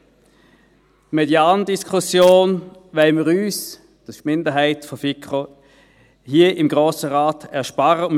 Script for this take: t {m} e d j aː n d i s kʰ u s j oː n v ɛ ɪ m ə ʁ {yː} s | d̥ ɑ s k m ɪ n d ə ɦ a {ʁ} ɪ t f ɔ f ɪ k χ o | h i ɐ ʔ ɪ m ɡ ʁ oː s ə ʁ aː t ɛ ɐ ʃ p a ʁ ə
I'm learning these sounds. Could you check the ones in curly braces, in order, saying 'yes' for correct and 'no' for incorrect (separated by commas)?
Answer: yes, yes, no